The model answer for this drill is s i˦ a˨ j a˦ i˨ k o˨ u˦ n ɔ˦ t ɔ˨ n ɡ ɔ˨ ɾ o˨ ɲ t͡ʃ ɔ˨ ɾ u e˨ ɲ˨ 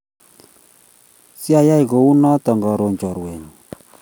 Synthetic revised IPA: s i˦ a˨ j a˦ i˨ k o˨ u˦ n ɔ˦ t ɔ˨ ŋ ɡ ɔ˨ ɾ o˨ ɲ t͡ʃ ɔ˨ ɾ w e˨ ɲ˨